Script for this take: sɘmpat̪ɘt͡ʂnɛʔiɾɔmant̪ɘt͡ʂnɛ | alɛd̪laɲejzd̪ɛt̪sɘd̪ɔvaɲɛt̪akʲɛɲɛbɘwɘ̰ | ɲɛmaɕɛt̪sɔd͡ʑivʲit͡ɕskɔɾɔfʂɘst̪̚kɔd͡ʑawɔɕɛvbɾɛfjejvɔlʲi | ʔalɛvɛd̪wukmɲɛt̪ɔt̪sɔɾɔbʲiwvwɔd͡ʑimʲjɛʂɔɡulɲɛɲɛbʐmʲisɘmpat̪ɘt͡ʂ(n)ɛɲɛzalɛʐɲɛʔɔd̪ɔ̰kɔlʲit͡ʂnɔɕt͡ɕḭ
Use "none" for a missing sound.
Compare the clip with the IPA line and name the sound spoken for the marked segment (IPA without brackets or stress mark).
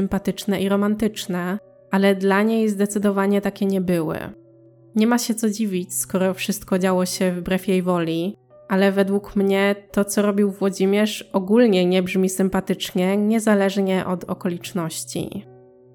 ɲ